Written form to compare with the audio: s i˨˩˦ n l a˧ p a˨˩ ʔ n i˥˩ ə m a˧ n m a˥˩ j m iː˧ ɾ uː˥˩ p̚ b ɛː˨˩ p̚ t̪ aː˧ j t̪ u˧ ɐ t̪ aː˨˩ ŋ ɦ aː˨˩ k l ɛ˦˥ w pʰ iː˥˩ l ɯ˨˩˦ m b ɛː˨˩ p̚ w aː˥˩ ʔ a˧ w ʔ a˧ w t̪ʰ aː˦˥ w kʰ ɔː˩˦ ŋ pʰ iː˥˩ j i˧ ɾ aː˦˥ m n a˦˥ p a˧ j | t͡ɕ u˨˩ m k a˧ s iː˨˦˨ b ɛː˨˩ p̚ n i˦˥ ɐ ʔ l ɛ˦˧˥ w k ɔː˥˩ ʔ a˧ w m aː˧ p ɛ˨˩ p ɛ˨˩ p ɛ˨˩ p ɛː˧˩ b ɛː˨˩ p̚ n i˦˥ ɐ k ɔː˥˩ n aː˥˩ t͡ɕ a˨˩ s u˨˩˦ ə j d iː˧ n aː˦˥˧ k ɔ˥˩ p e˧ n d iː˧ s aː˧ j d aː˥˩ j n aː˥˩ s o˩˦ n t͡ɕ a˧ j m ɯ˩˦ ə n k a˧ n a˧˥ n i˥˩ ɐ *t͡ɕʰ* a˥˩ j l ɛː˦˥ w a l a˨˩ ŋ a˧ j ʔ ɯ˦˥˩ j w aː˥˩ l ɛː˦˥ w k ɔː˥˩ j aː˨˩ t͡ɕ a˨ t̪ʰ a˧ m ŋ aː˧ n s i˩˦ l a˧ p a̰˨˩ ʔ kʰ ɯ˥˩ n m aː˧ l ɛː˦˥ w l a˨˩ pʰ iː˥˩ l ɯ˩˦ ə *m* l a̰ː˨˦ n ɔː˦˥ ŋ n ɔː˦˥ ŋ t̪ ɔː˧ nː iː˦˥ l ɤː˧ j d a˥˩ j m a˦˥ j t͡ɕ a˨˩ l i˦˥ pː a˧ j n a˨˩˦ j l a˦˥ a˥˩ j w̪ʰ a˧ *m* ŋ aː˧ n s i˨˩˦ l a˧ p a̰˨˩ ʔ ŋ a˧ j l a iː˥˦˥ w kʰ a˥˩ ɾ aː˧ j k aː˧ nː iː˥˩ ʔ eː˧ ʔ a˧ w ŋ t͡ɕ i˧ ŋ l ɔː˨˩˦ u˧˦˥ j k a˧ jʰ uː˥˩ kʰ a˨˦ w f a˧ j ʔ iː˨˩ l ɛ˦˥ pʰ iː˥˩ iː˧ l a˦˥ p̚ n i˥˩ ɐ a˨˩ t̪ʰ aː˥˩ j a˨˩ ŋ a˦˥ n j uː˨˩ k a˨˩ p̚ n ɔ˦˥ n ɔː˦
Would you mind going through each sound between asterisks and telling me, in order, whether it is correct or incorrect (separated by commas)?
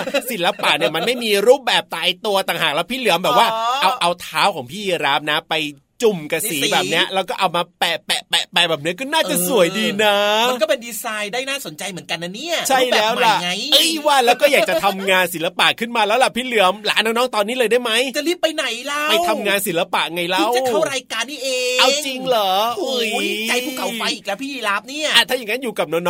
correct, correct, correct